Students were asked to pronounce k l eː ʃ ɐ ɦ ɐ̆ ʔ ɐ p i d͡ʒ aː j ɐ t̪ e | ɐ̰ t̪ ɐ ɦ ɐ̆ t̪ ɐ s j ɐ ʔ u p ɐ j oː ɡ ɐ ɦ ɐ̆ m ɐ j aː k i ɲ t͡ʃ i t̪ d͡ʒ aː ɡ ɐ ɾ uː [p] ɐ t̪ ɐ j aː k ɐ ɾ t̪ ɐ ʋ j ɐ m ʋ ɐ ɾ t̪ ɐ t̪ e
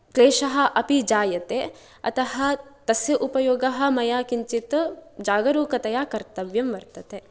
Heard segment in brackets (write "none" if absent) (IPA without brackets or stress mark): k